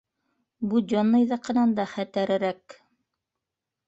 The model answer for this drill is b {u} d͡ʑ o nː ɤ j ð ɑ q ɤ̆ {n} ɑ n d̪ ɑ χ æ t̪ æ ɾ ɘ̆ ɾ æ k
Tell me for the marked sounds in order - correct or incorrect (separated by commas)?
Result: correct, correct